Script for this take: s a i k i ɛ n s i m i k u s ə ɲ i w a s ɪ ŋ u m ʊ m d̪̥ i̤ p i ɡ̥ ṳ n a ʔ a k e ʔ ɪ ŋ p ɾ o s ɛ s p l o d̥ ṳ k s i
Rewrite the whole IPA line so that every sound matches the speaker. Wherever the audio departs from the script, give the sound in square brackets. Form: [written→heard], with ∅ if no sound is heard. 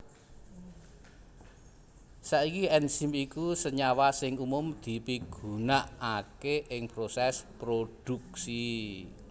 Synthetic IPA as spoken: s a i k i ɛ n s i m i k u s ə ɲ [i→a] w a s ɪ ŋ u m ʊ m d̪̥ i̤ p i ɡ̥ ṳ n a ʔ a k e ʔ ɪ ŋ p ɾ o s ɛ s p [l→ɾ] o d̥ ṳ k s i